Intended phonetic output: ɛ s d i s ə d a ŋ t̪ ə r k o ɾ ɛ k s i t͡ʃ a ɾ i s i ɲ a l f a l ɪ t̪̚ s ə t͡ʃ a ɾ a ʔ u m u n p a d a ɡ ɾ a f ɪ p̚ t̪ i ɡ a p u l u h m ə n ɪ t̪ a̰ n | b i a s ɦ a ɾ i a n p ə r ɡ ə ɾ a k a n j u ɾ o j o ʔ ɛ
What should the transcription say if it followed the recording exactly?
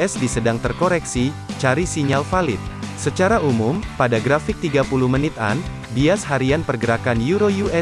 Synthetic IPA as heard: ɛ s d i s ə d a ŋ t̪ ə r k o ɾ ɛ k s i t͡ʃ a ɾ i s i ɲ a l f a l ɪ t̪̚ s ə t͡ʃ a ɾ a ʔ u m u m p a d a ɡ ɾ a f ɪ k̚ t̪ i ɡ a p u l u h m ə n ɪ t̪ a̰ n | b i a s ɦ a ɾ i a n p ə r ɡ ə ɾ a k a n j u ɾ o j u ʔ ɛ